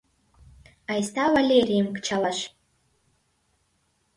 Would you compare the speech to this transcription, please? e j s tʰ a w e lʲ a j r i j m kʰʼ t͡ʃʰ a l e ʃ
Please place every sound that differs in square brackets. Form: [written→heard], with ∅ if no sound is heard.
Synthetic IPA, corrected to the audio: [e→a] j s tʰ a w [e→a] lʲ [a→e] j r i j m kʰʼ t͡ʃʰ a l [e→a] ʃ